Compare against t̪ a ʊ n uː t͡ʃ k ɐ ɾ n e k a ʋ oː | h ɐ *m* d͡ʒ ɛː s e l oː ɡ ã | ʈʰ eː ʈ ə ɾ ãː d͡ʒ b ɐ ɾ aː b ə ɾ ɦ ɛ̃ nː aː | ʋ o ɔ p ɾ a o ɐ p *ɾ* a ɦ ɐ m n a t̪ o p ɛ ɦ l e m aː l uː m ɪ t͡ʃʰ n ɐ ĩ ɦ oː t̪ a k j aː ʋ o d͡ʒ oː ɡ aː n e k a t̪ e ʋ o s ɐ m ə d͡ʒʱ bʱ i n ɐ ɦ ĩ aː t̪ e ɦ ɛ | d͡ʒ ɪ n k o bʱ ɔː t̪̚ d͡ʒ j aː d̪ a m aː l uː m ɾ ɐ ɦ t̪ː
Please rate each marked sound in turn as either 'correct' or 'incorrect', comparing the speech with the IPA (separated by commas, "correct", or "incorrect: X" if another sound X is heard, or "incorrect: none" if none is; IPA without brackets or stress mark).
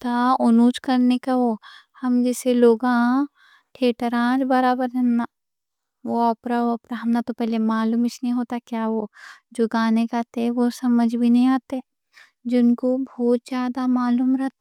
correct, correct